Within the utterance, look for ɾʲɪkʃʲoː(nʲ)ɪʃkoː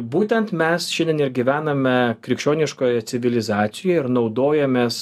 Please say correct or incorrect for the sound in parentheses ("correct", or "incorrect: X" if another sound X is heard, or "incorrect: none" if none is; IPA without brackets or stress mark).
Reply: correct